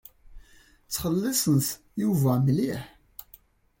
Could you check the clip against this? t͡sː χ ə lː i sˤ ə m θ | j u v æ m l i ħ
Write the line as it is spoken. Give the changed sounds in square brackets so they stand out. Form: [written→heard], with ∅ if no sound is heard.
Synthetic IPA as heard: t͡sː χ ə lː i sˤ ə [m→n] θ | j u v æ m l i ħ